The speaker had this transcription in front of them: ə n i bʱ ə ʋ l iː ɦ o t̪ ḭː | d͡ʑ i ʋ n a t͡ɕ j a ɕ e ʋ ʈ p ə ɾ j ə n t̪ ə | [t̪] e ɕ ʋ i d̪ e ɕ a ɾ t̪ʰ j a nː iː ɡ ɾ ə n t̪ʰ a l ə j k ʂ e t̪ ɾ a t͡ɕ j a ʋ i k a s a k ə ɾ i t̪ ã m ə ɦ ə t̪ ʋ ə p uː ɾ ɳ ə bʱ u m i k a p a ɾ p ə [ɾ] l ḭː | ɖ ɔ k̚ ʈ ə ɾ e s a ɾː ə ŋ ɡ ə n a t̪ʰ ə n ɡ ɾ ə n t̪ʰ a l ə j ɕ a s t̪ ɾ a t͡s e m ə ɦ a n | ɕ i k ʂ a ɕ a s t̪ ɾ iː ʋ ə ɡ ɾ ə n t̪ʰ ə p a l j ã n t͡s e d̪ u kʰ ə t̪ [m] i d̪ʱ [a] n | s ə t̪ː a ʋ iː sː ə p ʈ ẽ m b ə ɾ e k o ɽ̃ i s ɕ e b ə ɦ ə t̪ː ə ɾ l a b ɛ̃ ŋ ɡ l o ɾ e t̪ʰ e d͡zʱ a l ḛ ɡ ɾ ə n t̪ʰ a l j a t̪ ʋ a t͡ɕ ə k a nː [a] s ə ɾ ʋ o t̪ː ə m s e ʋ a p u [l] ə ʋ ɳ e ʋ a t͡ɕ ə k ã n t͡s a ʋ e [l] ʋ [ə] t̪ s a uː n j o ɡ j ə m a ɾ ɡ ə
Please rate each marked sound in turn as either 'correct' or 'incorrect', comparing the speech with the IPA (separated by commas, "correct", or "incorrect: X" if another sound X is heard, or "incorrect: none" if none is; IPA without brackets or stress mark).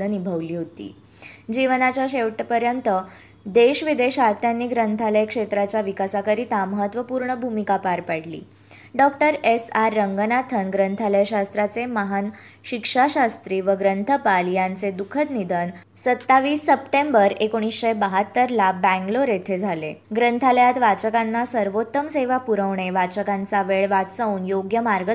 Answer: incorrect: d̪, incorrect: ɽ, incorrect: n, incorrect: ə, correct, incorrect: ɾ, incorrect: ɭ, incorrect: a